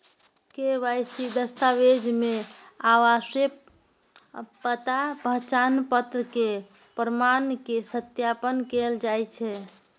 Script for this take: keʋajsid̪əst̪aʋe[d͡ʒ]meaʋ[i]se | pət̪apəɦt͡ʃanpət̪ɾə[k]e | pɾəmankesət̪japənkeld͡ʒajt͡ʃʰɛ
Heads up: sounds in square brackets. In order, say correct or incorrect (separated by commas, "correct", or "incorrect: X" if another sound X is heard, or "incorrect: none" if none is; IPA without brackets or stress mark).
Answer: correct, incorrect: a, correct